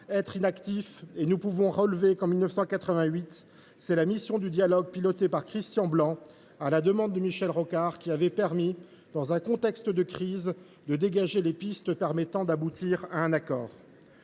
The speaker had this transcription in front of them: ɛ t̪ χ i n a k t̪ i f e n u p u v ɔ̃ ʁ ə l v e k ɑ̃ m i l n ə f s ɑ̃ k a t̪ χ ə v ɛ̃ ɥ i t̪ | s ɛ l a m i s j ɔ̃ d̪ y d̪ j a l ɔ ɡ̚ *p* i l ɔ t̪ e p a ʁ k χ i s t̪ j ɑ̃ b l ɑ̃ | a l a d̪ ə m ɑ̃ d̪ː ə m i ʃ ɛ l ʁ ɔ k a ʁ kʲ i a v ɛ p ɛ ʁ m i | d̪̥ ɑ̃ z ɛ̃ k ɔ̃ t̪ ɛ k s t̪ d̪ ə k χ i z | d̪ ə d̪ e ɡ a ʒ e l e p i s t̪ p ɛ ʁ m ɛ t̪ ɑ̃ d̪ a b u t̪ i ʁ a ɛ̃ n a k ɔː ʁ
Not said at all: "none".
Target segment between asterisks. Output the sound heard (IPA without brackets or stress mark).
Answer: p